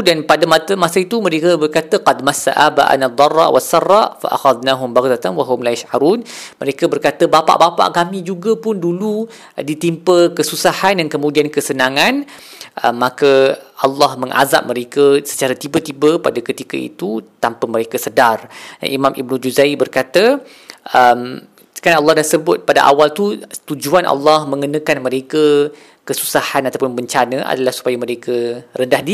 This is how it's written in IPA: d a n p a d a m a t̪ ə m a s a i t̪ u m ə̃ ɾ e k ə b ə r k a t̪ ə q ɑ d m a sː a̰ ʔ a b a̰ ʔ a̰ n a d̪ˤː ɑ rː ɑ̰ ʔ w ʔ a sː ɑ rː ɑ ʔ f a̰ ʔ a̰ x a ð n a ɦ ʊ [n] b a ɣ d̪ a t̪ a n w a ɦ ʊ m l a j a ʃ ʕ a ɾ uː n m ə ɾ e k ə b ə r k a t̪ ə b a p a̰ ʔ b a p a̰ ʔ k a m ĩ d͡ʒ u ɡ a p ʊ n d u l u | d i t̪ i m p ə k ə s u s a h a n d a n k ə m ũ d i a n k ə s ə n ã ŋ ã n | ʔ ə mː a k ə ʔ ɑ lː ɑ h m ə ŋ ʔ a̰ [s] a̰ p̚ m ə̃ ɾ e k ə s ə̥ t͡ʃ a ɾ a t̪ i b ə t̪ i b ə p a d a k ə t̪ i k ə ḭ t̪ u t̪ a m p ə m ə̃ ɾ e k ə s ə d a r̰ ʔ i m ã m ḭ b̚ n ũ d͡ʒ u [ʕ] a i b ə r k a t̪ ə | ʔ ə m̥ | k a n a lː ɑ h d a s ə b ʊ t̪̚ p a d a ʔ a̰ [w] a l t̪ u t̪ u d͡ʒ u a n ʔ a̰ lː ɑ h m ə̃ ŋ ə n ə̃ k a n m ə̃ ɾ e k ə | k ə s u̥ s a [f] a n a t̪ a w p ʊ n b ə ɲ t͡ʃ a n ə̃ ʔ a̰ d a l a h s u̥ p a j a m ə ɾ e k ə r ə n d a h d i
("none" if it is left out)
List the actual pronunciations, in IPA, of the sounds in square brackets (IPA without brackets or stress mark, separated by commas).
m, z, z, w, h